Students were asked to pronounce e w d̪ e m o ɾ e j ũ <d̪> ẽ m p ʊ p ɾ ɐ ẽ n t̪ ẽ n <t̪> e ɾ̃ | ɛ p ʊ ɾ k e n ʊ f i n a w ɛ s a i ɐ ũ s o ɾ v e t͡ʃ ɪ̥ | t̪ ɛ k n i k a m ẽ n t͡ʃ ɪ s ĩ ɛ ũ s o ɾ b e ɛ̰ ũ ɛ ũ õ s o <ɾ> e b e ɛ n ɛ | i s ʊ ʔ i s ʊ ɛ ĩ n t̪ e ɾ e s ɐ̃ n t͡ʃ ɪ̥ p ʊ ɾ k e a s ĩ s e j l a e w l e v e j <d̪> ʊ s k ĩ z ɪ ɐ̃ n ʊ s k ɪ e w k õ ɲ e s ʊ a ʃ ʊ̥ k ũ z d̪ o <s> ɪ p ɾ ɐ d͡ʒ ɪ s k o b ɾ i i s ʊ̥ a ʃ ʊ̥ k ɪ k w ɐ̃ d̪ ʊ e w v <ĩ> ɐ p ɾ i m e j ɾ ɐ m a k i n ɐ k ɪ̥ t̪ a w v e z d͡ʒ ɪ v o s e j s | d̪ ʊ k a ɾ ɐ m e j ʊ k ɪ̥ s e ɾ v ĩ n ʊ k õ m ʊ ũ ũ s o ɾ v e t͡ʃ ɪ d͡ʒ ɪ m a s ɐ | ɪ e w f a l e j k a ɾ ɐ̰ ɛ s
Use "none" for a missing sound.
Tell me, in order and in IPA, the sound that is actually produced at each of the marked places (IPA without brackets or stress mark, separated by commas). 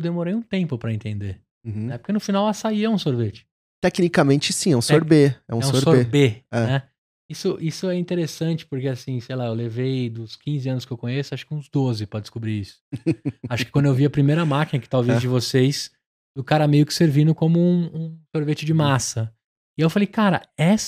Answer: t̪, d̪, ɾ, d̪, z, i